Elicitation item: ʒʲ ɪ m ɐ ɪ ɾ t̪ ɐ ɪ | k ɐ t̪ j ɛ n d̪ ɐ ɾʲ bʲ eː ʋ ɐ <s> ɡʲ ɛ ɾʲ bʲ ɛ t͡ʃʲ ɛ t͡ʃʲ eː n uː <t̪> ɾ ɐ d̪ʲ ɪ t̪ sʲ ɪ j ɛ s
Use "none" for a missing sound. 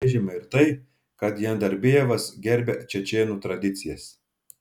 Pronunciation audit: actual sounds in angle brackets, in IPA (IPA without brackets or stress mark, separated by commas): s, t̪